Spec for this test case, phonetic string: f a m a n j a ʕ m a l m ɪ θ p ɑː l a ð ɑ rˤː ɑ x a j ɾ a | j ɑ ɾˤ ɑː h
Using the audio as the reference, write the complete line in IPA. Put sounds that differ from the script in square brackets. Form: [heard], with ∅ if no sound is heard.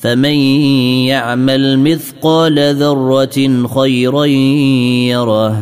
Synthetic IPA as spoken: f a m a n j a ʕ m a l m ɪ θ [q] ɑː l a ð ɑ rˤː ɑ x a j ɾ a | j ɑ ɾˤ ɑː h